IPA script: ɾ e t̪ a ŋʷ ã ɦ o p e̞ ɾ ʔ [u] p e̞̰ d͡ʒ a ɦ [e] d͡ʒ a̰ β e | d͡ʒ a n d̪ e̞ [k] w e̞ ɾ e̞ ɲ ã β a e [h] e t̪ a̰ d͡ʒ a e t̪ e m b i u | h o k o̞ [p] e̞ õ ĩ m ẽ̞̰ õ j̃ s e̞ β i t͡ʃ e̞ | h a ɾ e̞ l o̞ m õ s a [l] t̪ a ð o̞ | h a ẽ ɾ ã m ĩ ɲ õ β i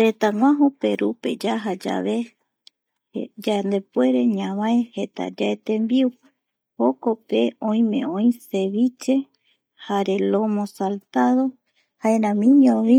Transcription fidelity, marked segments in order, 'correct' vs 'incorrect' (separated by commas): correct, incorrect, incorrect, correct, correct, correct